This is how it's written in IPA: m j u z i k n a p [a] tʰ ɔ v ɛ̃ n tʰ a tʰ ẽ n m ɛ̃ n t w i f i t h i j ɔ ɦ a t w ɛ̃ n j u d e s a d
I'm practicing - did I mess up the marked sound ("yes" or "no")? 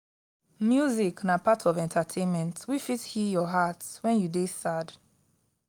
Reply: no